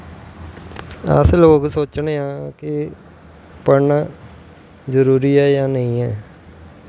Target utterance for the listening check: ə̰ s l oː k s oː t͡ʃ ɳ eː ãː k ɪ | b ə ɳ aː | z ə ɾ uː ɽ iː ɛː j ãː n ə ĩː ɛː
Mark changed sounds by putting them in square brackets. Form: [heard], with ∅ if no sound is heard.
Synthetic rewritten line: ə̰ s l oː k s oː t͡ʃ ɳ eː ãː k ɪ | [p] ə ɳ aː | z ə ɾ uː [ɾ] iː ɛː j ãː n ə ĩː ɛː